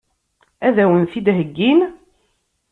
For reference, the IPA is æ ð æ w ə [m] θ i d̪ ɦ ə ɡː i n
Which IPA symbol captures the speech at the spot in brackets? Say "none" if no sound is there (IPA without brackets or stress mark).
n